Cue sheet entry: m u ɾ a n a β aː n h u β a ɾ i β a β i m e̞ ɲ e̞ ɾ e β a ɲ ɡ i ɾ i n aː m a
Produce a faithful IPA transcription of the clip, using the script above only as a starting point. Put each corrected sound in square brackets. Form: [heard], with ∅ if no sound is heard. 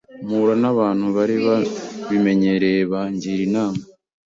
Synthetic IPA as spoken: m u ɾ a n a β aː n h u β a ɾ i β a β i m e̞ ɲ e̞ ɾ e β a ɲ [ɟ] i ɾ i n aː m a